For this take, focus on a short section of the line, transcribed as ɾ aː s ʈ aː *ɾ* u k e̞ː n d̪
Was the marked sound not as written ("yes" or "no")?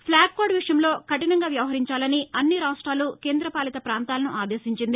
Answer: yes